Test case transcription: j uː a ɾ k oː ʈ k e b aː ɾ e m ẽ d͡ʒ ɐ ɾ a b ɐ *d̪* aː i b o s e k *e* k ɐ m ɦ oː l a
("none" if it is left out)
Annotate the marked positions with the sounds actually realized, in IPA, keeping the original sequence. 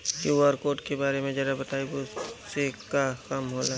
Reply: t̪, a

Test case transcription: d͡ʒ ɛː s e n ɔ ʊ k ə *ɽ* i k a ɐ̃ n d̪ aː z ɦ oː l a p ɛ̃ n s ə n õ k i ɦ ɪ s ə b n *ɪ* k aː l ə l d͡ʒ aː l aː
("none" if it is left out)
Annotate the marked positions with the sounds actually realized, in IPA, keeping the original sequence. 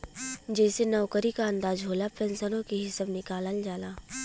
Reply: ɾ, ɪ

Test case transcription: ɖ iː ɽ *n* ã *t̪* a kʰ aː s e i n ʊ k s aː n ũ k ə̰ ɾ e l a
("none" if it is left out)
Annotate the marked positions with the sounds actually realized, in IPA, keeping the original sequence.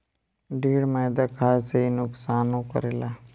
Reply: m, d̪

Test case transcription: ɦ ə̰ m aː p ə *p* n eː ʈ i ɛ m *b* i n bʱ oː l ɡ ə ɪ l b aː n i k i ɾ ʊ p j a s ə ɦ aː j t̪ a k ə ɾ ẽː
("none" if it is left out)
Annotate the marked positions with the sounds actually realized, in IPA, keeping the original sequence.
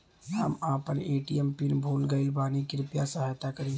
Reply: none, p

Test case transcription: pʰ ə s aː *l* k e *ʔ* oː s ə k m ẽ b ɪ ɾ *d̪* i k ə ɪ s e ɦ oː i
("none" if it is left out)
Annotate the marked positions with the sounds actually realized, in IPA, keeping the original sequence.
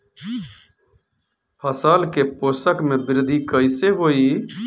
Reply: l, p, d̪

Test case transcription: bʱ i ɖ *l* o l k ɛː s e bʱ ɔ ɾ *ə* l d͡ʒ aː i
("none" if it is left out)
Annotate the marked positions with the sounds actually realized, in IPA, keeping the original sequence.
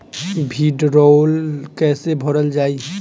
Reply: ɾ, ə

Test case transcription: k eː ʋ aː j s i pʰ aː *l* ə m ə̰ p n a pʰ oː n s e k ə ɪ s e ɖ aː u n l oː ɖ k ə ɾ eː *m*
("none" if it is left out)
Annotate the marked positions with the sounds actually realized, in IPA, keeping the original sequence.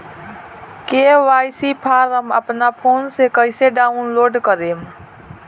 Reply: ɾ, m

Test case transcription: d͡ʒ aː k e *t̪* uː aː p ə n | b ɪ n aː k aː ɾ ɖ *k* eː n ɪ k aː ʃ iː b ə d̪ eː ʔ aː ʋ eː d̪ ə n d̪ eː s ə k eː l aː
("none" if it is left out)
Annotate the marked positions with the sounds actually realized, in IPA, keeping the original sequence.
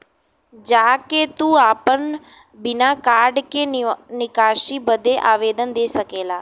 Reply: t̪, k

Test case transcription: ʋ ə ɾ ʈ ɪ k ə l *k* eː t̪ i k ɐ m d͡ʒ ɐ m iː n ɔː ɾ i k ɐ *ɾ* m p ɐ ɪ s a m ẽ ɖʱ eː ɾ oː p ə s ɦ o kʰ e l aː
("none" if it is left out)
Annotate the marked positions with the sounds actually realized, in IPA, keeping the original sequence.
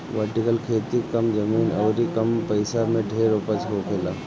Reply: kʰ, none

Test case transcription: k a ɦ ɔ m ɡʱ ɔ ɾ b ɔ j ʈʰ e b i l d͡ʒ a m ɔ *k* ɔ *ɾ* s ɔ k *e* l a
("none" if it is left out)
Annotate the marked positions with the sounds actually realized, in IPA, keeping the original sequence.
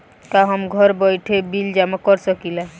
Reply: k, ɾ, i

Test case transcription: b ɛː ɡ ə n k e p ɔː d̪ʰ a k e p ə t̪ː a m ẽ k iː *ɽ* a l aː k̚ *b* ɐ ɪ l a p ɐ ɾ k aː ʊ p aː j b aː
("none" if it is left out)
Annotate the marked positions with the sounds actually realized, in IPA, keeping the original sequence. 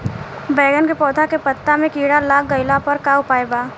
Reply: ɽ, ɡ

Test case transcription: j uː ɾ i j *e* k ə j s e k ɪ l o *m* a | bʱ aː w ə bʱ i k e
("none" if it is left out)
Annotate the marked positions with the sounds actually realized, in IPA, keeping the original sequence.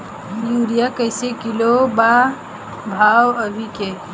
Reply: a, b

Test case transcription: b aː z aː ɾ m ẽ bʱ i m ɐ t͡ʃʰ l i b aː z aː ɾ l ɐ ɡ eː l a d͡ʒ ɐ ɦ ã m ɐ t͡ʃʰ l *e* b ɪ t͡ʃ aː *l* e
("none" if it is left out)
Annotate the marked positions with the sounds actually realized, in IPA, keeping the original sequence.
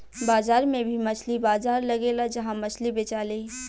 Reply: i, l

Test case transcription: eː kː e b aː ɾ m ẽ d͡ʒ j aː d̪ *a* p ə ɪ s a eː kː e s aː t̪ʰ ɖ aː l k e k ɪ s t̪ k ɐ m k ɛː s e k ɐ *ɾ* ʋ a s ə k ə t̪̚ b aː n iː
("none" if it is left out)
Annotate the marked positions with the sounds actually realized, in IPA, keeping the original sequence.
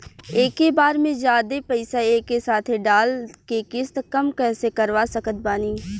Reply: e, ɾ

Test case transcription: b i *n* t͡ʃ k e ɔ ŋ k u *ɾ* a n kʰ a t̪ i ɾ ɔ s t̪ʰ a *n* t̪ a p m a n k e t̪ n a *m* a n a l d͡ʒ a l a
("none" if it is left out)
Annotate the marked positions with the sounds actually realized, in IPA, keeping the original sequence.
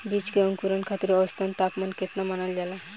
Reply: none, ɾ, n, m

